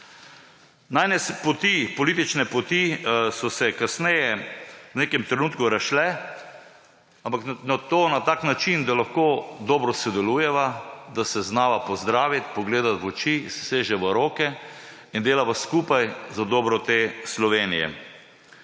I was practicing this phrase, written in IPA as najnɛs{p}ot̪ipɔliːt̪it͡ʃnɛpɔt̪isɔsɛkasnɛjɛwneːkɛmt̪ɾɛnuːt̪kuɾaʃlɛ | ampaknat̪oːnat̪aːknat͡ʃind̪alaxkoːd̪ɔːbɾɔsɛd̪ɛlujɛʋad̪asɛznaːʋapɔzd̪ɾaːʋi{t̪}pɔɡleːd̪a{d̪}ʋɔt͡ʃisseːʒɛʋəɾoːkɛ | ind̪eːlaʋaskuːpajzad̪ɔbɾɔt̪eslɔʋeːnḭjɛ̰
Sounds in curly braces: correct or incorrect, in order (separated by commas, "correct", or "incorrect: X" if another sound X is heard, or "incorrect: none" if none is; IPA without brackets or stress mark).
correct, correct, incorrect: t̪